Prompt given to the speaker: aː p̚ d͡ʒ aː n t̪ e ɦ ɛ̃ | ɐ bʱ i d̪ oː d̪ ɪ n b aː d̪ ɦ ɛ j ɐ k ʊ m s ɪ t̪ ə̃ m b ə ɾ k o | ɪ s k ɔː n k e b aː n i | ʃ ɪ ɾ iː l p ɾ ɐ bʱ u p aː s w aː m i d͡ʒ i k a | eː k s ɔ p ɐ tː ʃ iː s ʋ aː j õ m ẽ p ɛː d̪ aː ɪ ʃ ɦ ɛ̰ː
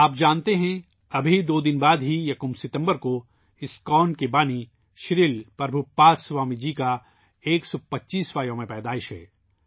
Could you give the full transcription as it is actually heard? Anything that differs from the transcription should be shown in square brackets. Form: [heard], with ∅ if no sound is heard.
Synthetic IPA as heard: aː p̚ d͡ʒ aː n t̪ e ɦ ɛ̃ | ɐ bʱ i d̪ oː d̪ ɪ n b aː d̪ ɦ [i] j ɐ k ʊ m s ɪ t̪ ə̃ m b ə ɾ k o | ɪ s k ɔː n k e b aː n i | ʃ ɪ ɾ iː l p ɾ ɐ bʱ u p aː s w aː m i d͡ʒ i k a | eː k s ɔ p ɐ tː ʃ iː s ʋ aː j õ m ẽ p ɛː d̪ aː ɪ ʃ ɦ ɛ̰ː

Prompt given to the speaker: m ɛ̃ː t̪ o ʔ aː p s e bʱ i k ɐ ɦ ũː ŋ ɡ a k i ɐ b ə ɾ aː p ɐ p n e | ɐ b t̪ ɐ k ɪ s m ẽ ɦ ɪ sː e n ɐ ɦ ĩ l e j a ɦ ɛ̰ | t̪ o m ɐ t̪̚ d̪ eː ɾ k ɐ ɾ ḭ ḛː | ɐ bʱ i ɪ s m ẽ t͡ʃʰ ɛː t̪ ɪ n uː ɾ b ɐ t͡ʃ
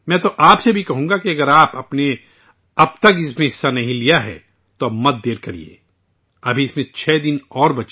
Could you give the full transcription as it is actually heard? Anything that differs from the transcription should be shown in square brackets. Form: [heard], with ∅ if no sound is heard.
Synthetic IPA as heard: m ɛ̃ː t̪ o ʔ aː p s e bʱ i k ɐ ɦ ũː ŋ ɡ a k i ɐ [ɡ] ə ɾ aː p ɐ p n e | ɐ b t̪ ɐ k ɪ s m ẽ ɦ ɪ sː [a] n ɐ ɦ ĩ l [i] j a ɦ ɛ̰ | t̪ o m ɐ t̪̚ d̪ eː ɾ k ɐ ɾ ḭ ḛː | ɐ bʱ i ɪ s m ẽ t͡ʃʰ ɛː [d̪] ɪ n [ɔː] ɾ b ɐ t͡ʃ

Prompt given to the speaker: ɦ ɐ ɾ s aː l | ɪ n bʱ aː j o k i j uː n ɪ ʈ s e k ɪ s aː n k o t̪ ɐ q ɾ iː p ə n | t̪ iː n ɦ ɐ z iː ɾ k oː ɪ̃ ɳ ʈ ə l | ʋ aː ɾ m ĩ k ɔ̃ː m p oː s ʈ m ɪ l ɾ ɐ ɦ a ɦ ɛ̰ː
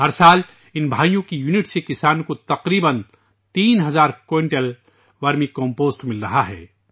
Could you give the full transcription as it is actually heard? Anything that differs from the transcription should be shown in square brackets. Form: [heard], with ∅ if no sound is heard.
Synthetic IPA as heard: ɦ ɐ ɾ s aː l | ɪ n bʱ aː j [õ] k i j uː n ɪ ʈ s e k ɪ s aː n k o t̪ ɐ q ɾ iː [b] ə n | t̪ iː n ɦ ɐ z [aː] ɾ k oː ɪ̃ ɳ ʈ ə l | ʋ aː ɾ m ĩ k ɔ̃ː m p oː s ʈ m ɪ l ɾ ɐ ɦ a ɦ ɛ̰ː

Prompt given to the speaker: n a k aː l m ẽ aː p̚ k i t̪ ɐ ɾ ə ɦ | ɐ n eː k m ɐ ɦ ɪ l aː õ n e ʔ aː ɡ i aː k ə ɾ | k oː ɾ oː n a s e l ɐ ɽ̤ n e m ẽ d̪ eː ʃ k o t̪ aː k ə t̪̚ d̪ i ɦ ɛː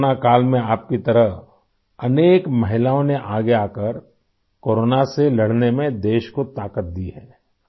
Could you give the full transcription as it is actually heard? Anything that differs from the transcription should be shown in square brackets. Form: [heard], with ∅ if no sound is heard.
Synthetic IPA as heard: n a k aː l m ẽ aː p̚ k i t̪ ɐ ɾ ə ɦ | ɐ n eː k m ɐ ɦ ɪ l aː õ n e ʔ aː ɡ [e] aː k ə ɾ | k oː ɾ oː n a s e l ɐ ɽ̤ n e m ẽ d̪ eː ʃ k o t̪ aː k ə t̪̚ d̪ i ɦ ɛː

